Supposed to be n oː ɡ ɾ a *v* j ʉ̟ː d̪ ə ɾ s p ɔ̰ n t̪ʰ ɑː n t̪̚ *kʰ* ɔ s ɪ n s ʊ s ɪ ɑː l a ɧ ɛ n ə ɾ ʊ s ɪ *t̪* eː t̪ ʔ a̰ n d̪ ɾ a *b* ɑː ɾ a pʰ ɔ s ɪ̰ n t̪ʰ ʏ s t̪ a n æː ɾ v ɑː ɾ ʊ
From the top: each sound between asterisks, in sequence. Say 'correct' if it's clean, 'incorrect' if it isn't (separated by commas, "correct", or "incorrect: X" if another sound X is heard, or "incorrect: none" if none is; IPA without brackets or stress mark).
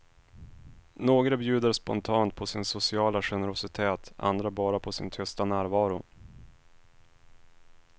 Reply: incorrect: b, incorrect: pʰ, incorrect: t̪ʰ, correct